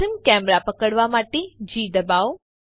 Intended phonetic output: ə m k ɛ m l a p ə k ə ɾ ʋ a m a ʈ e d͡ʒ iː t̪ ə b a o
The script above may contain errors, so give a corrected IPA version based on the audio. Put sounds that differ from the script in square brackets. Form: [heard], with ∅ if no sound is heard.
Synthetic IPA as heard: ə m k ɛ m [ɾ] a p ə k ə [ɽ] ʋ a m a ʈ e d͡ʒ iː [d̪] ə b a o